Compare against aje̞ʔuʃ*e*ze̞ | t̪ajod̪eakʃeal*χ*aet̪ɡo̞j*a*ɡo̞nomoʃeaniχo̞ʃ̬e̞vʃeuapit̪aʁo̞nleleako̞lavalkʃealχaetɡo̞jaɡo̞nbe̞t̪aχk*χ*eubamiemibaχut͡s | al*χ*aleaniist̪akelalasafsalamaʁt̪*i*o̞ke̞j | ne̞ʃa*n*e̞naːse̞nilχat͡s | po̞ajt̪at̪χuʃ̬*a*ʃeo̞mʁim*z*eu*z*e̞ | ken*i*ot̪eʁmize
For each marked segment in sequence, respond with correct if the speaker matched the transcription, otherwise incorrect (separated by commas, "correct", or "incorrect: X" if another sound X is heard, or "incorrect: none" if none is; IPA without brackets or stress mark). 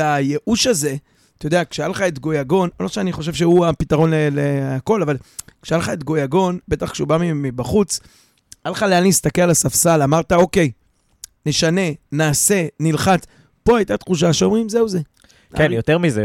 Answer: incorrect: a, correct, correct, incorrect: ʃ, correct, incorrect: a, correct, correct, correct, correct, incorrect: j